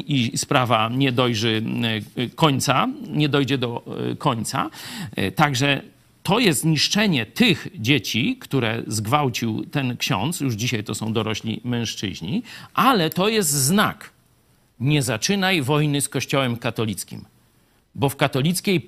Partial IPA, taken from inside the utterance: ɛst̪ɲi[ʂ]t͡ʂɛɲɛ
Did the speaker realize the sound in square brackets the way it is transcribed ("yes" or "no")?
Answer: yes